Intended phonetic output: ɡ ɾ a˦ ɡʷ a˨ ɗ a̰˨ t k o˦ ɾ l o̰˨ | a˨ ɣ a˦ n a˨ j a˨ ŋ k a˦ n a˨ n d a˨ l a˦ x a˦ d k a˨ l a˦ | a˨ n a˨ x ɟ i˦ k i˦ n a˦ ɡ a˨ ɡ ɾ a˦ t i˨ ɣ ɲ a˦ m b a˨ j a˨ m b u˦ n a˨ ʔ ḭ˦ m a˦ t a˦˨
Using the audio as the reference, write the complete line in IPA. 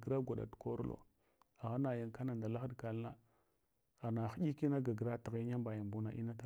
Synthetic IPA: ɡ ɾ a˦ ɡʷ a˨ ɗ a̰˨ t k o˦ ɾ l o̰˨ | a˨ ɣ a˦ n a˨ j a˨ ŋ k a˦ n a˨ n d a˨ l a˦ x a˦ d k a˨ l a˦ | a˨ n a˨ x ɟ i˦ k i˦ n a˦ ɡ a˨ ɡ ɾ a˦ t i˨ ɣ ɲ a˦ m b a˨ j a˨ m b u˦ n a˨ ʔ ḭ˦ n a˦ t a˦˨